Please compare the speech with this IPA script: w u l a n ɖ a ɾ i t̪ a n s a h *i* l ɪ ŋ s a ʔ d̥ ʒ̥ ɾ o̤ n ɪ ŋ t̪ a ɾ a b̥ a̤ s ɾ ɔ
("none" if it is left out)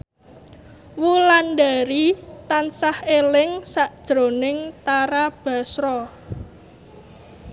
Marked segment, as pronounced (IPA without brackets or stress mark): e